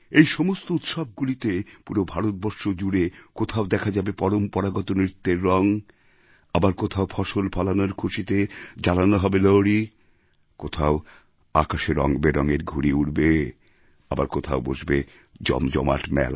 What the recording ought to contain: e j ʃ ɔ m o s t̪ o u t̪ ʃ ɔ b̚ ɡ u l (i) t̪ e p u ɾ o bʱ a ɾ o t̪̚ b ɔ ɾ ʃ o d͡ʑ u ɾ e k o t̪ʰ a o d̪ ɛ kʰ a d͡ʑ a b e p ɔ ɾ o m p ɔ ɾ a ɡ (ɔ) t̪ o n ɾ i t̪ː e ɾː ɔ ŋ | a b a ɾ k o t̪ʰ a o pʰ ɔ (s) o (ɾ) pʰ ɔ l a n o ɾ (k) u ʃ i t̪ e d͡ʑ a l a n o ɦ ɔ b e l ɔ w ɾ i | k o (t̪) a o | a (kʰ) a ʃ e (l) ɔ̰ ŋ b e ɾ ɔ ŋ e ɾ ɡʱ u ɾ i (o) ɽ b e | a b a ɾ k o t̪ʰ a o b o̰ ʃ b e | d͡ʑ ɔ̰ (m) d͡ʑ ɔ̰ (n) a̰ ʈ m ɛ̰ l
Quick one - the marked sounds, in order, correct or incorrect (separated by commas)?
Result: correct, correct, incorrect, incorrect, incorrect, incorrect, incorrect, incorrect, incorrect, correct, incorrect